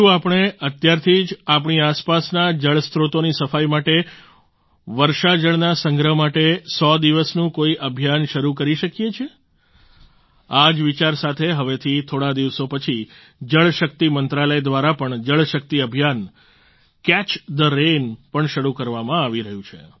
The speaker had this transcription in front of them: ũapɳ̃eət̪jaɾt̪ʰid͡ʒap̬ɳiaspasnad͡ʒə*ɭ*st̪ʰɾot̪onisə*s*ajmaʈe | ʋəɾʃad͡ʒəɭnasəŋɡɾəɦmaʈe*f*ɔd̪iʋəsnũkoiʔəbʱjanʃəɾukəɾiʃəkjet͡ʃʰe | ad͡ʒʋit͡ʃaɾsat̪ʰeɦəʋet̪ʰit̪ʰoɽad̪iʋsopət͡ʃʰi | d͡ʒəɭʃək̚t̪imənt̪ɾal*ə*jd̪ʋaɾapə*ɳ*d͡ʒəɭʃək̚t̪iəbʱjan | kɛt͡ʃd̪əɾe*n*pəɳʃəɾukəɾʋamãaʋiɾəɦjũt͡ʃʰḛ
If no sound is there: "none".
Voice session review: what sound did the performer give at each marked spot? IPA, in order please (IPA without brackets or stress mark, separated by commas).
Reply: ɭ, f, s, ə, ɳ, n